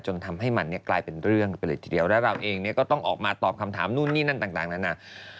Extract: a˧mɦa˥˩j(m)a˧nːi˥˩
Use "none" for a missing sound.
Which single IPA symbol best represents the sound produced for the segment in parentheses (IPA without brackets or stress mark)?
m